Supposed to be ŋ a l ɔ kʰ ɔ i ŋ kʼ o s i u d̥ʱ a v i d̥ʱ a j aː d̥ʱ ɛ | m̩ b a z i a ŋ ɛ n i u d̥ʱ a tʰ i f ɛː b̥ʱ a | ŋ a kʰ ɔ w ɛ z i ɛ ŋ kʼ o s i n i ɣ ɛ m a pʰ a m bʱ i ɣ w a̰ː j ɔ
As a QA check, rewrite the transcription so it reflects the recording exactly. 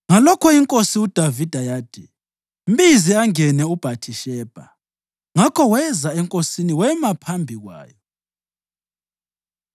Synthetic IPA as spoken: ŋ a l ɔ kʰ ɔ i ŋ kʼ o s i u d̥ʱ a v i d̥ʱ a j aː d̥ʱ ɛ | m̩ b i z i a ŋ ɛ n ɛ u b̥ʱ a tʰ i ʃ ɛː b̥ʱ a | ŋ a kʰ ɔ w ɛ z a ɛ ŋ kʼ o s i n i w ɛ m a pʰ a m bʱ i ɣ w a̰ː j ɔ